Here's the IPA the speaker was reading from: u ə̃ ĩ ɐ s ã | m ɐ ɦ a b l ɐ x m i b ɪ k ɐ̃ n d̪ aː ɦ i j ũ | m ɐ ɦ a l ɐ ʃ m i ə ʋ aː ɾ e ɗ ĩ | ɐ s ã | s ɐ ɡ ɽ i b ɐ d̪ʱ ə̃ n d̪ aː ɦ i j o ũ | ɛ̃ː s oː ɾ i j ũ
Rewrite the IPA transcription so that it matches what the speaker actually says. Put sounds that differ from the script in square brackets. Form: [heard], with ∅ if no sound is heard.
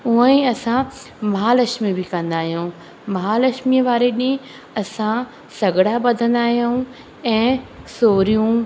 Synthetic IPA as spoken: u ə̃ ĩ ɐ s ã | m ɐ ɦ a [∅] l ɐ [ʃ] m i b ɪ k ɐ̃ n d̪ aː ɦ i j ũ | m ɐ ɦ a l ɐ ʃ m i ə ʋ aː ɾ e ɗ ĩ | ɐ s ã | s ɐ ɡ ɽ [a] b ɐ d̪ʱ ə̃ n d̪ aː ɦ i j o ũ | ɛ̃ː s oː ɾ i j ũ

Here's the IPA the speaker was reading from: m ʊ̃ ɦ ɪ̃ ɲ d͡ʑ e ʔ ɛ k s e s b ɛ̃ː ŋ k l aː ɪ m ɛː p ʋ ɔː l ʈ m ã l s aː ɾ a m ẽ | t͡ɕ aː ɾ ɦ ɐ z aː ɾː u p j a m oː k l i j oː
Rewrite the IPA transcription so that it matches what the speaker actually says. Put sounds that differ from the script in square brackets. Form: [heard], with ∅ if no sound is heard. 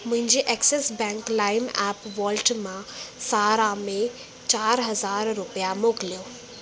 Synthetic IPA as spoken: m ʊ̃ ɦ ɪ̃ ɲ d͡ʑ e ʔ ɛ k s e s b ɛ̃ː ŋ k l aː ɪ m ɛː p ʋ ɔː l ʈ m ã [∅] s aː ɾ a m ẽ | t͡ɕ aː ɾ ɦ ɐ z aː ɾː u p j a m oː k l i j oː

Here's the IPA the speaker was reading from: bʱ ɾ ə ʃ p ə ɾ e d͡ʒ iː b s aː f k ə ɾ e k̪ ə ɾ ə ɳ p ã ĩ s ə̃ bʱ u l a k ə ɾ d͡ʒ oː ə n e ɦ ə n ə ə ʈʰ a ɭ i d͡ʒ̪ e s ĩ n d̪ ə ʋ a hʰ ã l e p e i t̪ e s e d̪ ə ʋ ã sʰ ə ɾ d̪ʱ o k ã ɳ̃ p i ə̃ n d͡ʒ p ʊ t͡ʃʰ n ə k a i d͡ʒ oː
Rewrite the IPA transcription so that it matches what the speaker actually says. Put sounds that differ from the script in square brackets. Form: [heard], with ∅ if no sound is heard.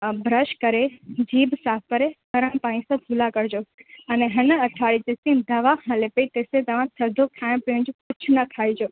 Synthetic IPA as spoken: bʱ ɾ ə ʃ [k] ə ɾ e d͡ʒ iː b s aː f k ə ɾ e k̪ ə ɾ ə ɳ p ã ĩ s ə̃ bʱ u l a k ə ɾ d͡ʒ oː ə n e ɦ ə n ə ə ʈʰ a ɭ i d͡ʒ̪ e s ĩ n d̪ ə ʋ a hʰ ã l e p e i t̪ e s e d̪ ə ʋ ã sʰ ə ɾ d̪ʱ o [kʰ] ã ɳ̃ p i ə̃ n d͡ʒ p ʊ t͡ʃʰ n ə [kʰ] a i d͡ʒ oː

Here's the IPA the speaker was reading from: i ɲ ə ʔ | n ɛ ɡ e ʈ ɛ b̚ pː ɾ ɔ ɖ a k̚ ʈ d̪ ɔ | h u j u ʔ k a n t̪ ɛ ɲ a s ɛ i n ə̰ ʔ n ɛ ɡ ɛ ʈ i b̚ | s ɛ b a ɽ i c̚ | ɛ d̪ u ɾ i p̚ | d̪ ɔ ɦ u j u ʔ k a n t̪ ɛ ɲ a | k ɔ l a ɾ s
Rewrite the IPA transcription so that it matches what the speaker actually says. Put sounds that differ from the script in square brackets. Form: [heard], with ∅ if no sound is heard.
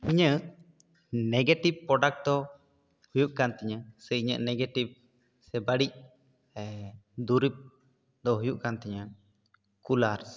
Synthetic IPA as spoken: i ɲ ə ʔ | n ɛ ɡ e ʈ [i] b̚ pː ɾ ɔ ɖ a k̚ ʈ d̪ ɔ | h u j u ʔ k a n t̪ ɛ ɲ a s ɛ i [ɲ] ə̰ ʔ n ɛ ɡ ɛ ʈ i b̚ | s ɛ b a ɽ i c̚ | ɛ d̪ u ɾ i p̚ | d̪ ɔ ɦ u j u ʔ k a n t̪ ɛ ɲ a | k [u] l a ɾ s

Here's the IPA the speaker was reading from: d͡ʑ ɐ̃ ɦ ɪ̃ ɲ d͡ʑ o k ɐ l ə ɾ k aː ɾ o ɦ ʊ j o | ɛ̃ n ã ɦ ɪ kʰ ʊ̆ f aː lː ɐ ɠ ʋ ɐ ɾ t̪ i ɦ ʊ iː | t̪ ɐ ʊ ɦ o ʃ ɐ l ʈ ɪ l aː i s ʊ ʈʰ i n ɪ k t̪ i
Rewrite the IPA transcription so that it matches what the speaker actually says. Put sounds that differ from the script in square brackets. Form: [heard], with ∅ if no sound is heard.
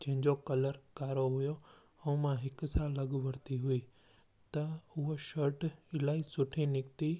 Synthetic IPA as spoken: d͡ʑ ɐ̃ ɦ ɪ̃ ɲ d͡ʑ o k ɐ l ə ɾ k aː ɾ o ɦ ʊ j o | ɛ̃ [m] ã ɦ ɪ [k] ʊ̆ [s] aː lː ɐ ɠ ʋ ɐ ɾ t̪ i ɦ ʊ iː | t̪ ɐ ʊ ɦ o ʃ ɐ [ɾ] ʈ ɪ l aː i s ʊ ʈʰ i n ɪ k t̪ i

